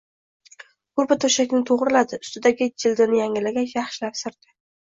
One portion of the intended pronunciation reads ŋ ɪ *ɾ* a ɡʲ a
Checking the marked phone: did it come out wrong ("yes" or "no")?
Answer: yes